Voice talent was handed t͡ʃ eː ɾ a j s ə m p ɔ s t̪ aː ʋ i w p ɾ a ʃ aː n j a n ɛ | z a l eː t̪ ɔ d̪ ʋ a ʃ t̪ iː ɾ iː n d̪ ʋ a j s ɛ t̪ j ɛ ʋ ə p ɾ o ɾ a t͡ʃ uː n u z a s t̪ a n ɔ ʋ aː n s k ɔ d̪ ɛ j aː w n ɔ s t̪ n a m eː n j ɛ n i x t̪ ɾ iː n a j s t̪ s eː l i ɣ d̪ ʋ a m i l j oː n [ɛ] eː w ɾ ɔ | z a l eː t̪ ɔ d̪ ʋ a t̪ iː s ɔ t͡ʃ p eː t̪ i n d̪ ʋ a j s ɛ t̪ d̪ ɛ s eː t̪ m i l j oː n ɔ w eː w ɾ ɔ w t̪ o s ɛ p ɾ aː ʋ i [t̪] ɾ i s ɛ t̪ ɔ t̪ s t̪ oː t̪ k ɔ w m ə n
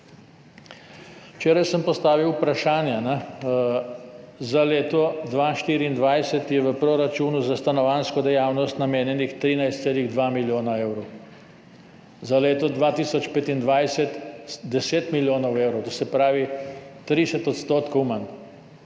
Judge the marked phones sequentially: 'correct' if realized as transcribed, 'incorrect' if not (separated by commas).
incorrect, correct